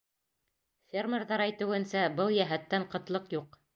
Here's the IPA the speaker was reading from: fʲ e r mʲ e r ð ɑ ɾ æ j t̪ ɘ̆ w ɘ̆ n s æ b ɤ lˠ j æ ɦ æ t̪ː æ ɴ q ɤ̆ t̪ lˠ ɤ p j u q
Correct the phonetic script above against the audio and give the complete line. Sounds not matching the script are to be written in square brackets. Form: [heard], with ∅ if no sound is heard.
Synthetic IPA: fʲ e r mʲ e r ð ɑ ɾ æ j t̪ ɘ̆ w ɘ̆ n s æ b ɤ lˠ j æ ɦ æ t̪ː æ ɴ q ɤ̆ t̪ lˠ ɤ [q] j u q